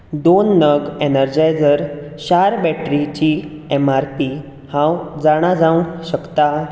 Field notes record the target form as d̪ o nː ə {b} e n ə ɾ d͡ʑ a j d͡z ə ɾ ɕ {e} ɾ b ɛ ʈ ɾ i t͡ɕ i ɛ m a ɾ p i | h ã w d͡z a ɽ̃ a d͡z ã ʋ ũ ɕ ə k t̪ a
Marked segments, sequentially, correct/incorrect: incorrect, incorrect

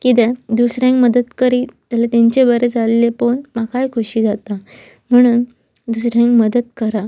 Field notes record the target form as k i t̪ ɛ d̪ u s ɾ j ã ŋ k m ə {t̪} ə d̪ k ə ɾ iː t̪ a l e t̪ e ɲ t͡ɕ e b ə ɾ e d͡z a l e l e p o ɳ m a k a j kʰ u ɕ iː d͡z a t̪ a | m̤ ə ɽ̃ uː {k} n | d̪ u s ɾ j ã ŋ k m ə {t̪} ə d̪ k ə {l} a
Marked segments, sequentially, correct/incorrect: incorrect, incorrect, incorrect, incorrect

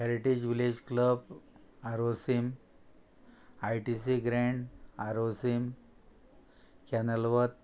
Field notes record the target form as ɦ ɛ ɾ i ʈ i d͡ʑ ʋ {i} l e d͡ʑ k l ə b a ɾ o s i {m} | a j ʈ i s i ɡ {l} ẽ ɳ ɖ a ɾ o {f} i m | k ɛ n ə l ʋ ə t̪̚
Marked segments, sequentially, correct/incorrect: correct, correct, incorrect, incorrect

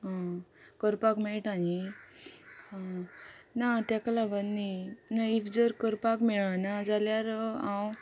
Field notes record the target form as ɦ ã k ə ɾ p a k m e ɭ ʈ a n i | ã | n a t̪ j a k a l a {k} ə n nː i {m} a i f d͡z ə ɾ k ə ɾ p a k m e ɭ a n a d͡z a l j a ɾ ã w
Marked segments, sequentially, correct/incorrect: incorrect, incorrect

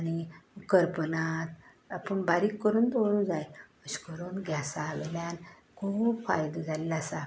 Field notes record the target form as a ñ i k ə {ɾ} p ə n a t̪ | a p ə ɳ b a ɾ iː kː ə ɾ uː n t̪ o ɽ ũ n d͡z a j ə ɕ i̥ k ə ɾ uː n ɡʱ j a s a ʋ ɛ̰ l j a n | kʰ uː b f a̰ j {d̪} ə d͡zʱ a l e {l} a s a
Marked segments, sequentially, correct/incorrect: correct, correct, correct

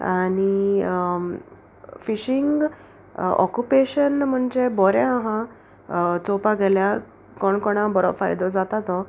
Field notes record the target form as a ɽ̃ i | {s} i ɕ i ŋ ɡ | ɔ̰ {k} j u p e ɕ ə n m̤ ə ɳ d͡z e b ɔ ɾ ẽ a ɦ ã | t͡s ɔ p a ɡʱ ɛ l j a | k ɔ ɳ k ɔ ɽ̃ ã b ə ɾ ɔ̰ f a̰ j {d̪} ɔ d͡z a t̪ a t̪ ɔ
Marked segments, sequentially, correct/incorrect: incorrect, correct, correct

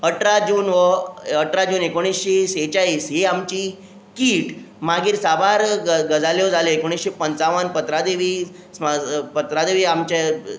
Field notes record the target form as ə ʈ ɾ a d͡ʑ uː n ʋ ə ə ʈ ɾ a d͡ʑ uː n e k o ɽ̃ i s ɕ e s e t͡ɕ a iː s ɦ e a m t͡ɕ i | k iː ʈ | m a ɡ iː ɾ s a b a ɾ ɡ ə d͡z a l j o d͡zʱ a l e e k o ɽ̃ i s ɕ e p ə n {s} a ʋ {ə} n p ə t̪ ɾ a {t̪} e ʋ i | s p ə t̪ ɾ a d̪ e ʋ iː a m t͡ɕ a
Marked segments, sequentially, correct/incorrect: incorrect, correct, incorrect

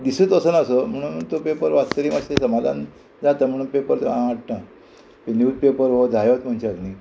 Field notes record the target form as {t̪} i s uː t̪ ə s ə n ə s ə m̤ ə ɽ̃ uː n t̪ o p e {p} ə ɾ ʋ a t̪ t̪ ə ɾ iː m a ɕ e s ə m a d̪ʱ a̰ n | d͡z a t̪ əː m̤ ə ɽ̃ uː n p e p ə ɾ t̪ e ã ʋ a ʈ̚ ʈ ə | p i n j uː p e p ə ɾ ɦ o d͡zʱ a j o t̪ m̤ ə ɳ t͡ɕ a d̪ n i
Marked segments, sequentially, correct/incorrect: incorrect, correct

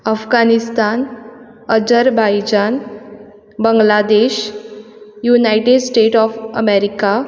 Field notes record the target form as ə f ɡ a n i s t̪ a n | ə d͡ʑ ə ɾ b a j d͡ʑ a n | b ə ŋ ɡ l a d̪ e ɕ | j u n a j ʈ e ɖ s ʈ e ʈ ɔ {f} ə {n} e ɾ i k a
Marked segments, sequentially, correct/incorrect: correct, incorrect

